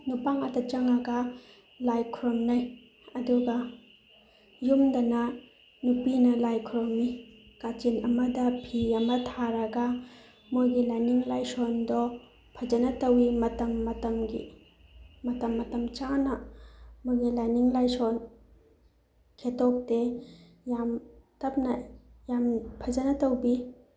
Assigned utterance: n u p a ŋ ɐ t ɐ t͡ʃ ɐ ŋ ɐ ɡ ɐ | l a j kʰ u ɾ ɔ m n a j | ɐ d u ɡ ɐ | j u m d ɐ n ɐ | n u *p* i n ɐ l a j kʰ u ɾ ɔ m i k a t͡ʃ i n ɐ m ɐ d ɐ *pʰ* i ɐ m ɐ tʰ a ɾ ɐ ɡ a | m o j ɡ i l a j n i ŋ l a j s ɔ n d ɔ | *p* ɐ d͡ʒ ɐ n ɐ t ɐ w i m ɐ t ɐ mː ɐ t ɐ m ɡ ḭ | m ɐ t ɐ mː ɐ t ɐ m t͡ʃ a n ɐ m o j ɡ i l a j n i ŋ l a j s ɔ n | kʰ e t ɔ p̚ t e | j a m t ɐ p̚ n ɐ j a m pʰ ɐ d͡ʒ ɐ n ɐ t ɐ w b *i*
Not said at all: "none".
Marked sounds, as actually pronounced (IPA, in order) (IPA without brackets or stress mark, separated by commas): p, pʰ, pʰ, i